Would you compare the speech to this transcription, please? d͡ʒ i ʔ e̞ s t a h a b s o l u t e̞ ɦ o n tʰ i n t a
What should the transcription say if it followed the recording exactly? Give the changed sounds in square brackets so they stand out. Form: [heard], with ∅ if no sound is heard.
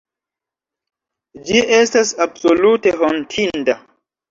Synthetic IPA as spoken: d͡ʒ i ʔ e̞ s t a [s] a b s o l u t e̞ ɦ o n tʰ i n [d] a